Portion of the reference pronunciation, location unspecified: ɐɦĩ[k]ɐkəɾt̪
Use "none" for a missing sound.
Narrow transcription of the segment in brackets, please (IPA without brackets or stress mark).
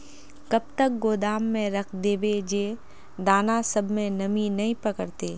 p